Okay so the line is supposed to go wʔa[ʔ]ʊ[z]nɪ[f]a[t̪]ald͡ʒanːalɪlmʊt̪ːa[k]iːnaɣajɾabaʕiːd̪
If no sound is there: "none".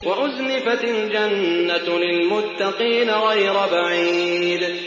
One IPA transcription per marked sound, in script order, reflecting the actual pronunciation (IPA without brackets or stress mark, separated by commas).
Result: ʔ, z, f, t̪, q